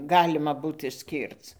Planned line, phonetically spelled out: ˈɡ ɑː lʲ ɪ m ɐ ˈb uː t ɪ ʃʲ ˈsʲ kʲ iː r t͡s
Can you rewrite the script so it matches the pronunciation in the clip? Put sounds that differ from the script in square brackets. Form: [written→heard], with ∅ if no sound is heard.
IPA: ˈɡ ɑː lʲ ɪ m ɐ ˈb uː t ɪ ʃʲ ˈsʲ kʲ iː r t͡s